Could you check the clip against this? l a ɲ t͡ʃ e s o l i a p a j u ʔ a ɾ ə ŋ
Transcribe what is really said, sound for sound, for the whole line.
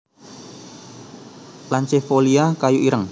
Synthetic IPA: l a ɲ t͡ʃ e f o l i a k a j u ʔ i ɾ ə ŋ